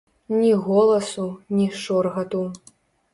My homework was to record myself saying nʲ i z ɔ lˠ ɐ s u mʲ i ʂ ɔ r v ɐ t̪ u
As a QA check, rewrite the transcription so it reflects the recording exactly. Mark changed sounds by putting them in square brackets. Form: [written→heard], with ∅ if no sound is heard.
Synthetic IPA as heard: nʲ i [z→ɣ] ɔ lˠ ɐ s u [mʲ→nʲ] i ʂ ɔ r [v→ɣ] ɐ t̪ u